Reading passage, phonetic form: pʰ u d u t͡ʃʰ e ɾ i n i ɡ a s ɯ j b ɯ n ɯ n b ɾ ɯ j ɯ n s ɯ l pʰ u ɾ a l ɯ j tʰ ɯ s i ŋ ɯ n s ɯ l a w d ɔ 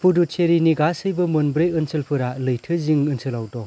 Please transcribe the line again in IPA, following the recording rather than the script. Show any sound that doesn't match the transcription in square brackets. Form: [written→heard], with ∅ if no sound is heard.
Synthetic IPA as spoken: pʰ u d u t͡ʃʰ e ɾ i n i ɡ a s ɯ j b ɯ [n→m] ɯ n b ɾ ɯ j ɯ n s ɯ l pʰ [u→ɯ] ɾ a l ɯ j tʰ ɯ [s→z] i ŋ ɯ n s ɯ l a w d ɔ

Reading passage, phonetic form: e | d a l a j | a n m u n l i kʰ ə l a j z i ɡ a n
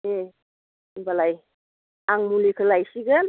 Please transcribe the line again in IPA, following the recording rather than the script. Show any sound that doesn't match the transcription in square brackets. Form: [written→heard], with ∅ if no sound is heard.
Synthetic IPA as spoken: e | [d→b] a l a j | a [n→ŋ] m u [n→∅] l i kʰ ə l a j [z→s] i ɡ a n

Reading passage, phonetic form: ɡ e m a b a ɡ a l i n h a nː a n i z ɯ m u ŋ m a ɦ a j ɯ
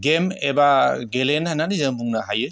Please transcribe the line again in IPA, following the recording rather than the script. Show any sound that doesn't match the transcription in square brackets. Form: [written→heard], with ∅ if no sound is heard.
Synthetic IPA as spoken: ɡ e m [a→e] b a ɡ [a→e] l [i→e] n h a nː a n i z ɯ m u ŋ [m→n] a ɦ a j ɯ

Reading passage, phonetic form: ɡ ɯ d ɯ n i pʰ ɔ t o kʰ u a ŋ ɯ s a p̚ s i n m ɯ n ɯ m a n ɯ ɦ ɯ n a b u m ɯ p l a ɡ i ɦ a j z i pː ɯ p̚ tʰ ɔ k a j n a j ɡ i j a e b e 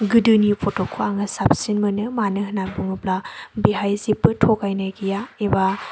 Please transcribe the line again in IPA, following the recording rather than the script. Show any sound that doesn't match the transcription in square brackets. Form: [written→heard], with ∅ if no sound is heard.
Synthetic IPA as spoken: ɡ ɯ d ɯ n i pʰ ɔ t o kʰ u a ŋ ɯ s a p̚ s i n m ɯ n ɯ m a n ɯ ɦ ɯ n a b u [m→ŋ] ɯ p l a [ɡ→b] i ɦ a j z i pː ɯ [p̚→∅] tʰ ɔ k a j n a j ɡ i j a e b [e→a]

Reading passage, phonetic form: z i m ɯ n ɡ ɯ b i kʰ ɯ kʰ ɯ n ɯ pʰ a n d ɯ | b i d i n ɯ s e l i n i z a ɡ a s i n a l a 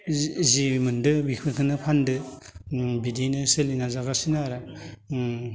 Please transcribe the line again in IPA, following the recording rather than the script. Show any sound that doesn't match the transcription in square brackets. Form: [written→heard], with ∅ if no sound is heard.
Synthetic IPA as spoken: z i m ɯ n [ɡ→d] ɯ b i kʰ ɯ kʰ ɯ n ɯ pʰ a n d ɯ | b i d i n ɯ s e l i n [i→a] z a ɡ a s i n a [l→ɾ] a

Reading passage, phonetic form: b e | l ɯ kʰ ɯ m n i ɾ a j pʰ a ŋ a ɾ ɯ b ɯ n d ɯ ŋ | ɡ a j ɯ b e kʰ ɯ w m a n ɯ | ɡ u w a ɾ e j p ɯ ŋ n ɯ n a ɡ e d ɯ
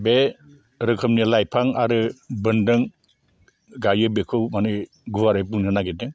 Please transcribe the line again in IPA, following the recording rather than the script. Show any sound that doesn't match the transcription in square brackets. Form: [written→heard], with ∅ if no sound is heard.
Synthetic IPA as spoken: b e | [l→ɾ] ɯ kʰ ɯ m n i [ɾ→l] a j pʰ a ŋ a ɾ ɯ b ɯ n d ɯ ŋ | ɡ a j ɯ b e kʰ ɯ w m a n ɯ | ɡ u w a ɾ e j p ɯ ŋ n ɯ n a ɡ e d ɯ

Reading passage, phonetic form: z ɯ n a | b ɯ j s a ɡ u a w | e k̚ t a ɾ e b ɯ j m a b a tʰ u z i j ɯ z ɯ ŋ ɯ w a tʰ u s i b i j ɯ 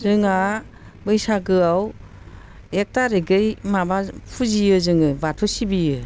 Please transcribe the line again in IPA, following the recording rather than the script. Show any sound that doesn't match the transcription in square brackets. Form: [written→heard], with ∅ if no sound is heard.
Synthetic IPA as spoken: z ɯ [n→ŋ] a | b ɯ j s a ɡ [u→ɯ] a w | e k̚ t a ɾ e [b→ɡ] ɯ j m a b a [tʰ→pʰ] u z i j ɯ z ɯ ŋ ɯ [w→b] a tʰ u s i b i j ɯ

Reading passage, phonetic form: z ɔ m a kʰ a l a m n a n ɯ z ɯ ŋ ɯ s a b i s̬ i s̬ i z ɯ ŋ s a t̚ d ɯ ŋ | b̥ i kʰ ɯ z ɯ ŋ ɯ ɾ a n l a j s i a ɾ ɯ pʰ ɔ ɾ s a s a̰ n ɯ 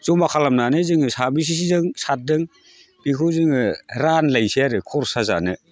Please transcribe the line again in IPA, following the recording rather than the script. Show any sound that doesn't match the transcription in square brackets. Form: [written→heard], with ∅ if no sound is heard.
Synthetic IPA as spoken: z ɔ m a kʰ a l a m n a n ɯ z ɯ ŋ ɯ s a b i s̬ i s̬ i z ɯ ŋ s a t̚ d ɯ ŋ | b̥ i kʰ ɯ z ɯ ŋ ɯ ɾ a n l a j s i a ɾ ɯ [pʰ→kʰ] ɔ ɾ s a [s→z] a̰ n ɯ

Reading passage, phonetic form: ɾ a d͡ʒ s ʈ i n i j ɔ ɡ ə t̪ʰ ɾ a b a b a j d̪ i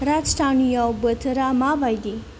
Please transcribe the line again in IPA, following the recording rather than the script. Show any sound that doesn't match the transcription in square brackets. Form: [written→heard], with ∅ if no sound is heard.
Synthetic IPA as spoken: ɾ a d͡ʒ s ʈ [i→a] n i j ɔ [ɡ→b] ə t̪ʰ ɾ a [b→m] a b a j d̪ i

